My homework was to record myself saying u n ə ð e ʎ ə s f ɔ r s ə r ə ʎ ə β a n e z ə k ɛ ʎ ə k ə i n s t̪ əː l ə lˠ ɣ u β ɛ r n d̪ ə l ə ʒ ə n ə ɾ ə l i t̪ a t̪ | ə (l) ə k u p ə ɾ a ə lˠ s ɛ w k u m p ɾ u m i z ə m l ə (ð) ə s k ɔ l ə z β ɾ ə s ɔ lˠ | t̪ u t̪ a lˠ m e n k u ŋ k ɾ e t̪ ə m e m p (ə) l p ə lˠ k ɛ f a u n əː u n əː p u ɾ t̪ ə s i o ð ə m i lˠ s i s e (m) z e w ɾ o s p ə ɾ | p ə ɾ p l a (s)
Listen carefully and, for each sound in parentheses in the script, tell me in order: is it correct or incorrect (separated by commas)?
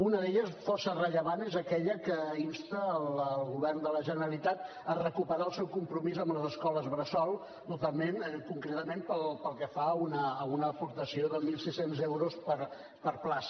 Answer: incorrect, incorrect, correct, incorrect, correct